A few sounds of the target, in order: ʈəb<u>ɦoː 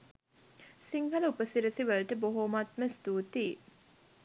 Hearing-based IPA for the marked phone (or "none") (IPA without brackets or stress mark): o